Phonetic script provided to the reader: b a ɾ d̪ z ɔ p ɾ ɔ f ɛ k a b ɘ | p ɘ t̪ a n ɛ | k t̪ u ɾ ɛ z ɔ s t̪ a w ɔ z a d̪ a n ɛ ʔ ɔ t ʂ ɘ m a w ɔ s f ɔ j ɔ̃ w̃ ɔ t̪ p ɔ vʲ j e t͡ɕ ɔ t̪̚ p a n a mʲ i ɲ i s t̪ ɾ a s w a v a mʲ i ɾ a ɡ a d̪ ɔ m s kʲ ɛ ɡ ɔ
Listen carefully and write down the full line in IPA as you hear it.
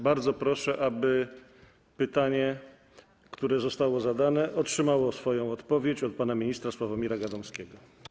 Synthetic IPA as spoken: b a ɾ d̪ z ɔ p ɾ ɔ ʂ ɛ ʔ a b ɘ | p ɘ t̪ a ɲ ɛ | k t̪ u ɾ ɛ z ɔ s t̪ a w ɔ z a d̪ a n ɛ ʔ ɔ t ʂ ɘ m a w ɔ s f ɔ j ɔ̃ w̃ ɔ t̪ p ɔ vʲ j e t͡ɕ ɔ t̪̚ p a n a mʲ i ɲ i s t̪ ɾ a s w a v a mʲ i ɾ a ɡ a d̪ ɔ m s kʲ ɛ ɡ ɔ

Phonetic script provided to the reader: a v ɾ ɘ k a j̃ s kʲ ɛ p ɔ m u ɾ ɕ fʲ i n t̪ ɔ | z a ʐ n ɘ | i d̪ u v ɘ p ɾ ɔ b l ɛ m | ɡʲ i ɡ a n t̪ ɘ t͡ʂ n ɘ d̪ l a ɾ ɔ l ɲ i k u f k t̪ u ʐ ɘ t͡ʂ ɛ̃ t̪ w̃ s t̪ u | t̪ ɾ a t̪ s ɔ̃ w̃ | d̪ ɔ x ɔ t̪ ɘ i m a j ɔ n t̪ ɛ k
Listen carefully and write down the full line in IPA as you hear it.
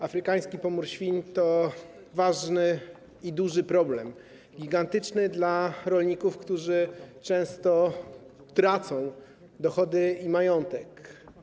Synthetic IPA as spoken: a f ɾ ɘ k a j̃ s kʲ i p ɔ m u ɾ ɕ fʲ i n t̪ ɔ | v a ʐ n ɘ | i d̪ u ʐ ɘ p ɾ ɔ b l ɛ m | ɡʲ i ɡ a n t̪ ɘ t͡ʂ n ɘ d̪ l a ɾ ɔ l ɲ i k u f k t̪ u ʐ ɘ t͡ʂ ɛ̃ w̃ s t̪ ɔ | t̪ ɾ a t̪ s ɔ̃ w̃ | d̪ ɔ x ɔ d̪ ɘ i m a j ɔ n t̪ ɛ k

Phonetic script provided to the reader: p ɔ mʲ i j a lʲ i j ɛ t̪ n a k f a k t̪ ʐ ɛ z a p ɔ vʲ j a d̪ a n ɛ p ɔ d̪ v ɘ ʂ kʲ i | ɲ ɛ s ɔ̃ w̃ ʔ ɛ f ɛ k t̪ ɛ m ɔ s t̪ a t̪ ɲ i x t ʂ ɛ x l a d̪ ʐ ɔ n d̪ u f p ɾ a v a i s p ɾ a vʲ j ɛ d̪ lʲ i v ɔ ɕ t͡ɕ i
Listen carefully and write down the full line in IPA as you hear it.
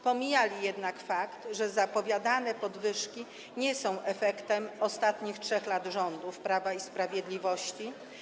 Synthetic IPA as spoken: p ɔ mʲ i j a lʲ i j ɛ d̪ n a k f a k t̪ ʐ ɛ z a p ɔ vʲ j a d̪ a n ɛ p ɔ d̪ v ɘ ʂ kʲ i | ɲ ɛ s ɔ̃ w̃ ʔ ɛ f ɛ k t̪ ɛ m ɔ s t̪ a t̪ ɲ i x t ʂ ɛ x l a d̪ ʐ ɔ n d̪ u f p ɾ a v a i s p ɾ a vʲ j ɛ d̪ lʲ i v ɔ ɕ t͡ɕ i

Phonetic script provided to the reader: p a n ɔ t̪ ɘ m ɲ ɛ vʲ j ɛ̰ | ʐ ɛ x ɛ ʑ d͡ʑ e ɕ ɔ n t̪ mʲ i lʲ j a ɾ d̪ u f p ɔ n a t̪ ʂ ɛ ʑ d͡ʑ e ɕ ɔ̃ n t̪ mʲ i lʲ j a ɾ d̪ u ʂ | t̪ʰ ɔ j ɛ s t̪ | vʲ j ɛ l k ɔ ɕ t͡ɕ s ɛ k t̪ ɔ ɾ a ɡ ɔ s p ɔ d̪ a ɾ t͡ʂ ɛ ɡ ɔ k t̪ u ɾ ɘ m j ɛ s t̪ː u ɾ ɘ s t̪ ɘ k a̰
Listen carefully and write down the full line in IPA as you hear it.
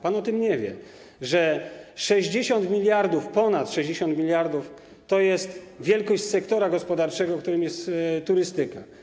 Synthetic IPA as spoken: p a n ɔ t̪ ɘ m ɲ ɛ vʲ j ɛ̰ | ʐ ɛ ʂ ɛ ʑ d͡ʑ e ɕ ɔ n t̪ mʲ i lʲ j a ɾ d̪ u f p ɔ n a t̪ ʂ ɛ ʑ d͡ʑ e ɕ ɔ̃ n t̪ mʲ i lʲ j a ɾ d̪ u f | t̪ ɔ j ɛ s t̪ | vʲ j ɛ l k ɔ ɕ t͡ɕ s ɛ k t̪ ɔ ɾ a ɡ ɔ s p ɔ d̪ a ɾ t͡ʂ ɛ ɡ ɔ k t̪ u ɾ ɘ m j ɛ s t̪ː u ɾ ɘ s t̪ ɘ k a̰

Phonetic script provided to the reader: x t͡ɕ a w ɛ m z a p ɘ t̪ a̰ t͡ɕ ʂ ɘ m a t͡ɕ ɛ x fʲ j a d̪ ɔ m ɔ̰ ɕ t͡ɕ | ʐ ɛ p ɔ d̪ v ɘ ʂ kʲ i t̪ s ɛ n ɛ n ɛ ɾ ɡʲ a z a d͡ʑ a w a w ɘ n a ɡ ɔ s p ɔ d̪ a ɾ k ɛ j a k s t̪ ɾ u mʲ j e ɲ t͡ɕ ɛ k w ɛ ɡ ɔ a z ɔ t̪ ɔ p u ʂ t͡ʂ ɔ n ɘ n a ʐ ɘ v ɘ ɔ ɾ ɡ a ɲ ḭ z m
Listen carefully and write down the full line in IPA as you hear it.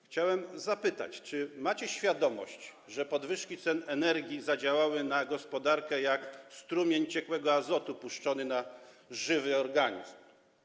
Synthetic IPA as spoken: x t͡ɕ a w ɛ m z a p ɘ t̪ a̰ t͡ɕ t͡ʂ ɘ m a t͡ɕ ɛ ɕ fʲ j a d̪ ɔ m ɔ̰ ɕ t͡ɕ | ʐ ɛ p ɔ d̪ v ɘ ʂ kʲ i t̪ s ɛ n ɛ n ɛ ɾ ɡʲ i z a d͡ʑ a w a w ɘ n a ɡ ɔ s p ɔ d̪ a ɾ k ɛ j a k s t̪ ɾ u mʲ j e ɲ t͡ɕ ɛ k w ɛ ɡ ɔ a z ɔ t̪ u p u ʂ t͡ʂ ɔ n ɘ n a ʐ ɘ v ɘ ɔ ɾ ɡ a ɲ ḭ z m

